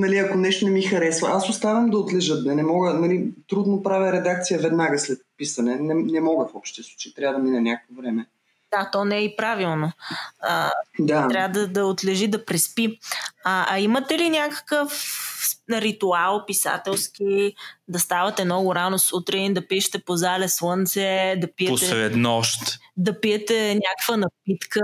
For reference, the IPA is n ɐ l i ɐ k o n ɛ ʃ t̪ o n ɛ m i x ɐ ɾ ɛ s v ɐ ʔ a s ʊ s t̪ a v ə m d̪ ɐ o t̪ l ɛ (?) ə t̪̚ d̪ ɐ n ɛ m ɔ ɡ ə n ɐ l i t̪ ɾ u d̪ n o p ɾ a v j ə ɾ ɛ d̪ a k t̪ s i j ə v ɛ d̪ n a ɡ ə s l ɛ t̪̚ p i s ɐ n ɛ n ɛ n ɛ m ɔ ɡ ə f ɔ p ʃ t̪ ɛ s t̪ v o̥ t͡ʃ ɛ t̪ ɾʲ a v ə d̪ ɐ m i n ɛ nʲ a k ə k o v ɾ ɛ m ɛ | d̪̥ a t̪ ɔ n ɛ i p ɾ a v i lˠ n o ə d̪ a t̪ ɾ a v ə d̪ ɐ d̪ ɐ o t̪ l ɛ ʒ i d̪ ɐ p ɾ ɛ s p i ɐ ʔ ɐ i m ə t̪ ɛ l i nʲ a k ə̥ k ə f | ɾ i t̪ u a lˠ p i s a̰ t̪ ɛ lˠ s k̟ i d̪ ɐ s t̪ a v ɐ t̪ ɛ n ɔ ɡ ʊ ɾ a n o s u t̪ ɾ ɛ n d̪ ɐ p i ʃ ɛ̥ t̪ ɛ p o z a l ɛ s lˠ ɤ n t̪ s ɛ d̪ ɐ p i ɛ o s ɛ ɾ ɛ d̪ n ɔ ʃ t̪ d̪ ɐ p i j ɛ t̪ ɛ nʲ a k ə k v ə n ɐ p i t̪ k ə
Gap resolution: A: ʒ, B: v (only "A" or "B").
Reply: A